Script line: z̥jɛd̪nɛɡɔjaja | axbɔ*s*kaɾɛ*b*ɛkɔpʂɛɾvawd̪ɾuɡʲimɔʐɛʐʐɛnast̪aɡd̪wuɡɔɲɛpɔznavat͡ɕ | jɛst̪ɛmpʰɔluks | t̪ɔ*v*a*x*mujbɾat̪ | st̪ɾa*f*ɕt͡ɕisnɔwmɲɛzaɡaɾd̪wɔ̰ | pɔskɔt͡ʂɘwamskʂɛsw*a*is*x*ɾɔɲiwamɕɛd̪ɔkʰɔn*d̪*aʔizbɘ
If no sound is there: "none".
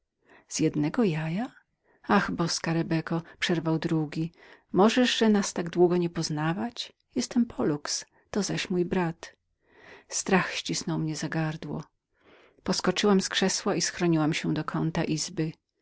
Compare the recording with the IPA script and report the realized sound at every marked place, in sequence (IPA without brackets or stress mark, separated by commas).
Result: s, b, z, ɕ, x, a, x, t̪